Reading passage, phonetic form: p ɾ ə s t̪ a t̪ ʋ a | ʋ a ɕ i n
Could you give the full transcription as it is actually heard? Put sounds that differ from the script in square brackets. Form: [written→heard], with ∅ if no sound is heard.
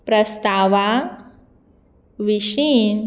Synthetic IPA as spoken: p ɾ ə s t̪ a [t̪→∅] ʋ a | ʋ [a→i] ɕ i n